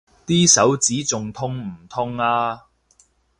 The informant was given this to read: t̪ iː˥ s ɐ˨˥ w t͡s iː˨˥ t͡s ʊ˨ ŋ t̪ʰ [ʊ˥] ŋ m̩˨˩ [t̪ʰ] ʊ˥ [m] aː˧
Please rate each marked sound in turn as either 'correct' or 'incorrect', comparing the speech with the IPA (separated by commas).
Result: correct, correct, incorrect